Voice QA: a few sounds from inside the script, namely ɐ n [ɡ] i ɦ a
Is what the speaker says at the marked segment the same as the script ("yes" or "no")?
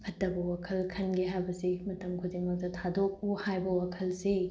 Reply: yes